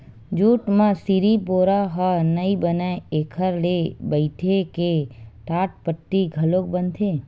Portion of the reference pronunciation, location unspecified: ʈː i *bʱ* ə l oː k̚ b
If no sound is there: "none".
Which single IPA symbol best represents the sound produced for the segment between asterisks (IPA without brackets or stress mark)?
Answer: ɡʱ